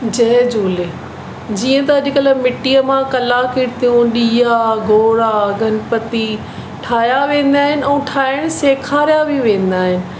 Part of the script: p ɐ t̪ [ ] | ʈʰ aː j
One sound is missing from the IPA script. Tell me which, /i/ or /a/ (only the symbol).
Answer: i